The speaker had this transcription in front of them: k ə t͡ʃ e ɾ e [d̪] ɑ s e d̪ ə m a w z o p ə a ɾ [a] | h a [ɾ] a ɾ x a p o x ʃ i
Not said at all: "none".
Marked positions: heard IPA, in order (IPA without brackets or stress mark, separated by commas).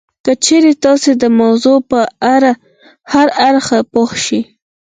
t̪, a, ɾ